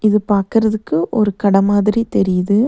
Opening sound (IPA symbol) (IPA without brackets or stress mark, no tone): ɪ